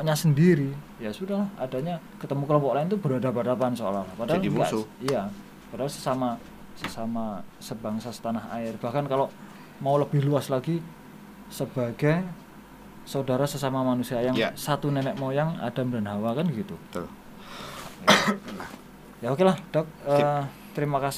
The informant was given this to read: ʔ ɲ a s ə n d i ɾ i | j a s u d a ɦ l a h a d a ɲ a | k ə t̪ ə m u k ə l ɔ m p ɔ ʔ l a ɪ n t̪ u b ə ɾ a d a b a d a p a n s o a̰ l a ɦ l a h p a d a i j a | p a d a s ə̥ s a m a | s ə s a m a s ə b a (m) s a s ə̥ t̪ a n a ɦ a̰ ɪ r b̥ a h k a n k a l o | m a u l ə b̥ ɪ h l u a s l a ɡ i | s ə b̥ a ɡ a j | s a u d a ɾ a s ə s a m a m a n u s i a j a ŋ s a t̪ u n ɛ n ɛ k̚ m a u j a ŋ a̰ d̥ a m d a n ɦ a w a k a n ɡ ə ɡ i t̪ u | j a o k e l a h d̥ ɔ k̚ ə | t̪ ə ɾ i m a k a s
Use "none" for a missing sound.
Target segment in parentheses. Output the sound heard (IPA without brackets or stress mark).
ŋ